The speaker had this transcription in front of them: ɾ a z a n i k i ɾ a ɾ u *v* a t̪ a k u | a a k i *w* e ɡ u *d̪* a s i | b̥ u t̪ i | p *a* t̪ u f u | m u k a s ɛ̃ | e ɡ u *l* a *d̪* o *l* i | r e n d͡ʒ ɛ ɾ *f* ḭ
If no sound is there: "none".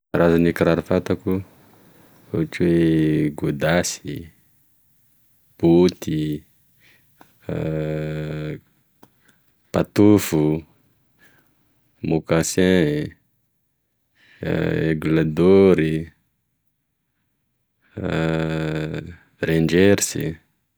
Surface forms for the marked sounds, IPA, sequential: f, w, d̪, a, l, d̪, ɾ, s

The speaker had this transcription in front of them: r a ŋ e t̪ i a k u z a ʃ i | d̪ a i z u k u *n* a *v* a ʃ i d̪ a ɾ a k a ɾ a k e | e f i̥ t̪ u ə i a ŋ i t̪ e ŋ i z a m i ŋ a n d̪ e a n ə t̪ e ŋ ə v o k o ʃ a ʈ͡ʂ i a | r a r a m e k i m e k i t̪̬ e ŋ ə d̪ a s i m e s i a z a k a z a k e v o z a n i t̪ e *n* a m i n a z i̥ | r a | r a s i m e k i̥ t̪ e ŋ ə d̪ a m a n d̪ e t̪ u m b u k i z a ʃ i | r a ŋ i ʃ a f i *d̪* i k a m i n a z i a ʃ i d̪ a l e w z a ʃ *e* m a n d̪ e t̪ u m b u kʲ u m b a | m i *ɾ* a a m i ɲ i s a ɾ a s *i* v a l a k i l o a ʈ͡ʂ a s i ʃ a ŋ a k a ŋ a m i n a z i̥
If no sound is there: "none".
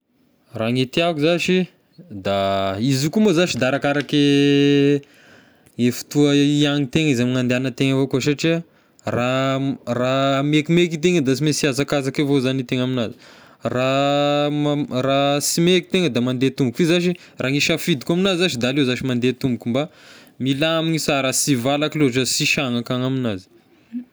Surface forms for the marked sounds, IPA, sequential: m, z, ŋ, d̪, i, l, i

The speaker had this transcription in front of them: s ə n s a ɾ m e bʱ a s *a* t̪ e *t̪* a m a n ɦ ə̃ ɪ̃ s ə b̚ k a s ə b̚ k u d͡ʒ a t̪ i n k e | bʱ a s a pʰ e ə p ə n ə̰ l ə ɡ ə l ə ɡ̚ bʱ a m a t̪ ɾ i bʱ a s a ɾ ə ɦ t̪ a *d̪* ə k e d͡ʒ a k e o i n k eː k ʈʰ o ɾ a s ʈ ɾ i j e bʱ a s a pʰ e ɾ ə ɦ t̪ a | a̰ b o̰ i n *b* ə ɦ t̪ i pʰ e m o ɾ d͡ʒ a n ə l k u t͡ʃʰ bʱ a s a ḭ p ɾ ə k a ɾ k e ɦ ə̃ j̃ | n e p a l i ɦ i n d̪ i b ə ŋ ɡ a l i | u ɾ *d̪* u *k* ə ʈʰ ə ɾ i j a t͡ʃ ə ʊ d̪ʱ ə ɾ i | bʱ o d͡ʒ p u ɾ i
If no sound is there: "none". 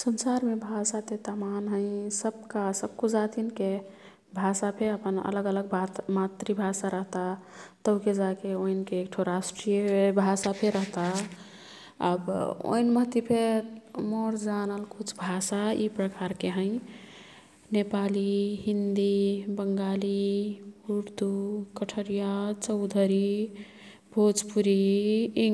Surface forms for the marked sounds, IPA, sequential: a, t̪, t̪, m, d̪, k

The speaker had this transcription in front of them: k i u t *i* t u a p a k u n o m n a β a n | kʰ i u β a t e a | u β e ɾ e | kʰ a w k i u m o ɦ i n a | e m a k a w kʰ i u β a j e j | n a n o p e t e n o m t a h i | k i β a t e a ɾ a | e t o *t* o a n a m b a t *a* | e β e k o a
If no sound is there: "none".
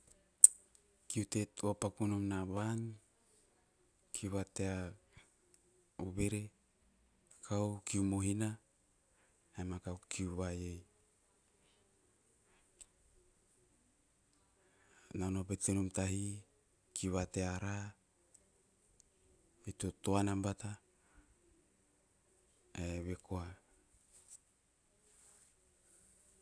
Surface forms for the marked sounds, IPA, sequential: e, t, a

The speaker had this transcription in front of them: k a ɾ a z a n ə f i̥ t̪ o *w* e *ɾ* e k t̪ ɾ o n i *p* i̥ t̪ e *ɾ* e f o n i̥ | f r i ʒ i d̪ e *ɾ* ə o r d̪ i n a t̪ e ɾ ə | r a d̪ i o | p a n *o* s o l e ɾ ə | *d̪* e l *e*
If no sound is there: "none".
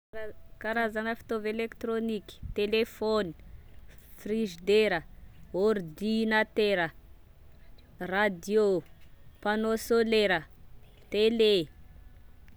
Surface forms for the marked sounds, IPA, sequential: v, l, k, l, ɾ, o, t̪, e

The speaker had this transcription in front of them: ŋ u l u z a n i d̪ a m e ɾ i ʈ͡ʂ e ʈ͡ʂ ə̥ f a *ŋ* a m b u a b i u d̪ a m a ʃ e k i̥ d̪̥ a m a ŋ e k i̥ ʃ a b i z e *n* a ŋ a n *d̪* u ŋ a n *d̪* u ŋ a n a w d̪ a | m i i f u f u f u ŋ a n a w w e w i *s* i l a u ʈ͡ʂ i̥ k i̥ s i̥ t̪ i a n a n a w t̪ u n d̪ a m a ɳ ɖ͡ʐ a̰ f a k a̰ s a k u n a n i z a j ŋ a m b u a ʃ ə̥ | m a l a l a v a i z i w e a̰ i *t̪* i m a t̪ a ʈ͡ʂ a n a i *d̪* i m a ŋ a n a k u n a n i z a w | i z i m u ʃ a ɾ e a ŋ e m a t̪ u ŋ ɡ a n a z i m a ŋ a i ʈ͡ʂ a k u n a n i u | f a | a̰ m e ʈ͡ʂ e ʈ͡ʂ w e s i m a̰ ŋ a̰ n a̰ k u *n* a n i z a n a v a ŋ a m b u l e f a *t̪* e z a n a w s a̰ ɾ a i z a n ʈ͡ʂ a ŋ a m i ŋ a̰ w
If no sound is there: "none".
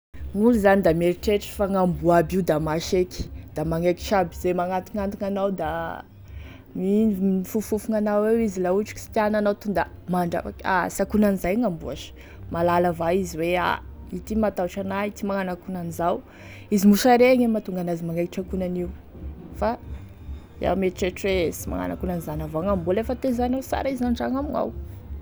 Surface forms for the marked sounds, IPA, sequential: ŋ, m, t̪, t̪, z, t̪, t̪, n, t̪

